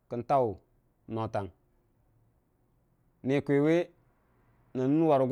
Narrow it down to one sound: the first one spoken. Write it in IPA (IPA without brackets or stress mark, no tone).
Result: k